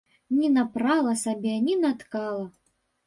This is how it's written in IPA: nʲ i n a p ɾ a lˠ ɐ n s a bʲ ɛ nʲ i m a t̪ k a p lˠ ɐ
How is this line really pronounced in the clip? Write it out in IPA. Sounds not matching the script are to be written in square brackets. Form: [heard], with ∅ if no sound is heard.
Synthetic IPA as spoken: nʲ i n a p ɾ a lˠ ɐ [∅] s a bʲ ɛ nʲ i [n] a t̪ k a [∅] lˠ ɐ